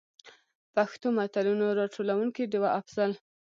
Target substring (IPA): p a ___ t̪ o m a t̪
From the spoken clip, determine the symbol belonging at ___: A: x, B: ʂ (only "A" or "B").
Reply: A